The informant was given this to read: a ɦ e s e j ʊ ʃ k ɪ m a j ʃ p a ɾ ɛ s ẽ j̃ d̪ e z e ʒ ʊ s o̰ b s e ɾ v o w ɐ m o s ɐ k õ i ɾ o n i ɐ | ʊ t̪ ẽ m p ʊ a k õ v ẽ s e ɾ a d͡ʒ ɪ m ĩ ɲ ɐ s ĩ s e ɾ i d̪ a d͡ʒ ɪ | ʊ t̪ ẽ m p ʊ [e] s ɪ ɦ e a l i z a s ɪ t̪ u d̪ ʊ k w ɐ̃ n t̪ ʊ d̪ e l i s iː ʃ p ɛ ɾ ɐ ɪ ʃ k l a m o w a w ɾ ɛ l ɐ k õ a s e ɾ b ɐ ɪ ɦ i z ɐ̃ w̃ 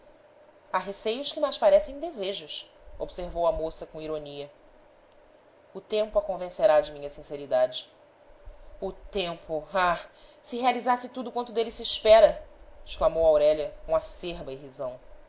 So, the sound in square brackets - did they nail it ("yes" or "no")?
no